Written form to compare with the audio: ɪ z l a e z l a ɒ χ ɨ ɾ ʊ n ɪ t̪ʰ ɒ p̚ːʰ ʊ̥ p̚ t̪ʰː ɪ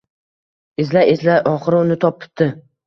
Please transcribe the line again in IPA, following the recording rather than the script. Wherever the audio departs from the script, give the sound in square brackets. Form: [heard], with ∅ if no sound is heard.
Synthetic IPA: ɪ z l a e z l a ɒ χ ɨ ɾ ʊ n ɪ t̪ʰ ɒ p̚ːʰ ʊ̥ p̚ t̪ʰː ɪ